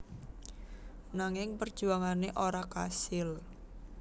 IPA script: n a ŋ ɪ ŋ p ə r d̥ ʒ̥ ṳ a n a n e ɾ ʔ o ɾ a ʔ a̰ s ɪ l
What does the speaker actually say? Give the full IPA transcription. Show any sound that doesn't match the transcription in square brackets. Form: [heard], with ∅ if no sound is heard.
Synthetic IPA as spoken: n a ŋ ɪ ŋ p ə r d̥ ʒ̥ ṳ a [ŋ] a n e [∅] ʔ o ɾ a [k] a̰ s ɪ l